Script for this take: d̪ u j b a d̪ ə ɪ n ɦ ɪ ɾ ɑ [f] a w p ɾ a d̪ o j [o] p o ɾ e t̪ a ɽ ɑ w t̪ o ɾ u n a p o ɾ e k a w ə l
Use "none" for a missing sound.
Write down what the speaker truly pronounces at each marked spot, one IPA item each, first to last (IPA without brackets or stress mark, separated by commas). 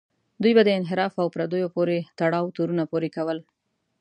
f, o